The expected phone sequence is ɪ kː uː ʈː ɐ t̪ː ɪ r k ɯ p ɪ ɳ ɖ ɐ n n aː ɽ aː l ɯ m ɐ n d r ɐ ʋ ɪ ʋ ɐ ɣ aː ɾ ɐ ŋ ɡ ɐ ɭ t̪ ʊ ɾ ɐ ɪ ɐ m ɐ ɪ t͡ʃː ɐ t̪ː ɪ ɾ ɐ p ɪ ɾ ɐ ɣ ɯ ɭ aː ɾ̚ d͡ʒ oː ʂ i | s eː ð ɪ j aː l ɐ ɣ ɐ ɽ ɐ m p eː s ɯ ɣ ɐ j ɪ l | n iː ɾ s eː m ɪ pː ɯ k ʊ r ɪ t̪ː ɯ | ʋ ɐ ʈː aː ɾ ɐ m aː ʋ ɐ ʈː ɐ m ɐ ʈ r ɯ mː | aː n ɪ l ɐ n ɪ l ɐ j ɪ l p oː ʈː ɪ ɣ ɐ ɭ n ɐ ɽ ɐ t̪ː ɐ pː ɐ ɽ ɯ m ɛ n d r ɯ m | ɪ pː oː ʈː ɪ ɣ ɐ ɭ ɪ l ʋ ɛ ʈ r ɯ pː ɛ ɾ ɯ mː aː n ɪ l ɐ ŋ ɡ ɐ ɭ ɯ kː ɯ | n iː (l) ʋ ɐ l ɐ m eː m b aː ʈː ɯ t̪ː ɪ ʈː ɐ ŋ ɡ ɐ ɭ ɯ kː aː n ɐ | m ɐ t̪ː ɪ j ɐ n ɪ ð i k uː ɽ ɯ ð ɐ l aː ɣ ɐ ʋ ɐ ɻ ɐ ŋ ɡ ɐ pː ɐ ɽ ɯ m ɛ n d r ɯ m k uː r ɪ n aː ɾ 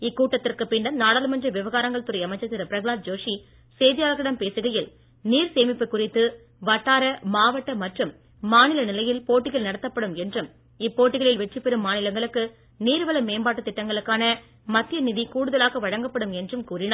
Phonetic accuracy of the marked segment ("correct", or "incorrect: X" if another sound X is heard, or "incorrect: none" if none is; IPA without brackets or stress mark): incorrect: ɾ